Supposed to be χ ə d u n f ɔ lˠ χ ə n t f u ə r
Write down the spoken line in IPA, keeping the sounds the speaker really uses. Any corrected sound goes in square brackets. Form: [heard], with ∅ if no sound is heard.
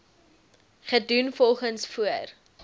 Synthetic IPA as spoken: χ ə d u n f ɔ lˠ χ ə n [s] f u ə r